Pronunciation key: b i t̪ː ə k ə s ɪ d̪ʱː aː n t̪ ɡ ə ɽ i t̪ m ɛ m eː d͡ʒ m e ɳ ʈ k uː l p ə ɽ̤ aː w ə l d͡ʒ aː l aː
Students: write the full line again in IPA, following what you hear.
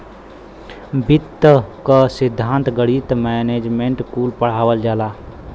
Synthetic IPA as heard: b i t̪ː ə k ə s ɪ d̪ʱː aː n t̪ ɡ ə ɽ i t̪ m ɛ n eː d͡ʒ m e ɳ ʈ k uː l p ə ɽ̤ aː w ə l d͡ʒ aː l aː